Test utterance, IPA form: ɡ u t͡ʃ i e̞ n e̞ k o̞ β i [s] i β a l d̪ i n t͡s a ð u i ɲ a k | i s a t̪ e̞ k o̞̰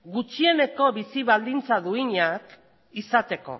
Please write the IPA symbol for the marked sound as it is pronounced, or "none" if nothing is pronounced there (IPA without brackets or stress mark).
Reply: s